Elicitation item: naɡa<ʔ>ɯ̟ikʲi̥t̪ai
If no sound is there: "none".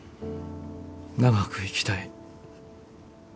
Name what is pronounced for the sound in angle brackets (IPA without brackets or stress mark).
k